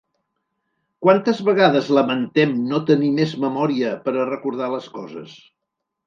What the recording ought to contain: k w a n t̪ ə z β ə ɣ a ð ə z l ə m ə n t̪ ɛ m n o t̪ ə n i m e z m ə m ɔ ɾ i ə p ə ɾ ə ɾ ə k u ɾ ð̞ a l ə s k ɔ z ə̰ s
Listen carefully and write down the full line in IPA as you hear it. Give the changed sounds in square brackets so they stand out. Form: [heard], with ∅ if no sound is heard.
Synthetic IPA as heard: k w a n t̪ ə z β ə ɣ a ð ə z l ə m ə n t̪ ɛ m n o t̪ ə n i m e z m ə m ɔ ɾ i ə p ə ɾ ə [r] ə k u ɾ ð̞ a l ə s k ɔ z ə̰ s